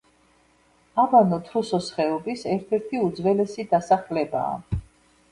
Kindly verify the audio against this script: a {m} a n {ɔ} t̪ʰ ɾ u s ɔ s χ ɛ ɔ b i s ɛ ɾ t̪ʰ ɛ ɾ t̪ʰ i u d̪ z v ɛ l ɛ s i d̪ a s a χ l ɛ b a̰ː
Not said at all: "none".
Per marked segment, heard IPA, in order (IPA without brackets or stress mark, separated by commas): b, ɔ